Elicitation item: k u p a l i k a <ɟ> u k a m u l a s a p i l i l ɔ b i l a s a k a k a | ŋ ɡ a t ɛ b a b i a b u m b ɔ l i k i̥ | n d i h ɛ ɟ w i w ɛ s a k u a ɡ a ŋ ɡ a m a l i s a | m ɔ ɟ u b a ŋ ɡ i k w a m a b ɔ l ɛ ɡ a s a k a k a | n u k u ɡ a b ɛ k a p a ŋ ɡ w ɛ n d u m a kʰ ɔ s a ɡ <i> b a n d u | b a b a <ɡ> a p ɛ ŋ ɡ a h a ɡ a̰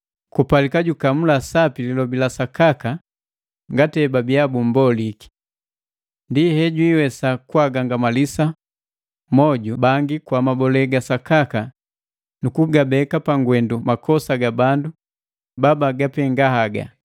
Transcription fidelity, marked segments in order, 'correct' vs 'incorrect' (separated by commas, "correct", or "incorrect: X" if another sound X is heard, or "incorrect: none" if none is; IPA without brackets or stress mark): correct, incorrect: a, correct